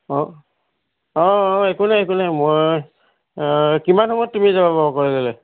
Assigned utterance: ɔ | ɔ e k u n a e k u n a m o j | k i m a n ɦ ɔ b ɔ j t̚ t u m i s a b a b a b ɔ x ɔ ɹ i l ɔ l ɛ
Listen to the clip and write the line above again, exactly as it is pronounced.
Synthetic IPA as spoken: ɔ | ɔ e k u n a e k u n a m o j | k i m a n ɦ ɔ m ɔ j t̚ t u m i z a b a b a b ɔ k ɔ ɹ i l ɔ l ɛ